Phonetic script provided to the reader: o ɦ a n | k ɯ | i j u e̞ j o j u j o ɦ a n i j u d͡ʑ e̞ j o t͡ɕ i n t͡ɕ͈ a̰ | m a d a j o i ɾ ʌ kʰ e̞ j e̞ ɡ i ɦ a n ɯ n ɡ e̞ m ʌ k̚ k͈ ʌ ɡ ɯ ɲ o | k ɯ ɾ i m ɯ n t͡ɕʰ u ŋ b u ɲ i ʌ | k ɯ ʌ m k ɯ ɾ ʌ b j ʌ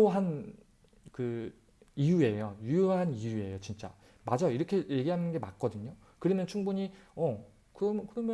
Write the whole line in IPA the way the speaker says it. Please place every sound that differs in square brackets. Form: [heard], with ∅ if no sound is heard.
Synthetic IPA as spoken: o ɦ a n | k ɯ | i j u e̞ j o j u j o ɦ a n i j u [∅] e̞ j o t͡ɕ i n t͡ɕ͈ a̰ | m a [d͡ʑ] a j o i ɾ ʌ kʰ e̞ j e̞ ɡ i ɦ a n ɯ n ɡ e̞ m [a] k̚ k͈ ʌ [d] ɯ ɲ o | k ɯ ɾ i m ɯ n t͡ɕʰ u ŋ b u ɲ i ʌ | k ɯ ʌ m k ɯ ɾ ʌ [m] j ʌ